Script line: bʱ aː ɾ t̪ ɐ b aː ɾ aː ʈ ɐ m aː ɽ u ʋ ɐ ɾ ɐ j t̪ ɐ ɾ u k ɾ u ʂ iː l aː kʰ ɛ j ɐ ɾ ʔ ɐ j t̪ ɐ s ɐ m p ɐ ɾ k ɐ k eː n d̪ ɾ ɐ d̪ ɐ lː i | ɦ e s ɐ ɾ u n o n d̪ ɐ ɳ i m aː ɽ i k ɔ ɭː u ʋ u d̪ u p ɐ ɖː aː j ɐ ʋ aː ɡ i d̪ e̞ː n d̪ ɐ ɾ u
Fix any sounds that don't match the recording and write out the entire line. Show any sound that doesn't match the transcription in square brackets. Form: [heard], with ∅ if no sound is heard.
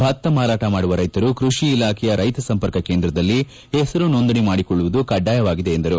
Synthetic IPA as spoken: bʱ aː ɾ t̪ ɐ [m] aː ɾ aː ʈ ɐ m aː ɽ u ʋ ɐ ɾ ɐ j t̪ ɐ ɾ u k ɾ u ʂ iː l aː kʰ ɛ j ɐ ɾ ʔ ɐ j t̪ ɐ s ɐ m p ɐ ɾ k ɐ k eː n d̪ ɾ ɐ d̪ ɐ lː i | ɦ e s ɐ ɾ u n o n d̪ ɐ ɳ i m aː ɽ i k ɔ ɭː u ʋ u d̪ u [k] ɐ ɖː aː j ɐ ʋ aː ɡ i d̪ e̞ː n d̪ ɐ ɾ u